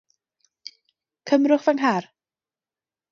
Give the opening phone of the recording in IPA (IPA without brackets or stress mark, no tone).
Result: kʰ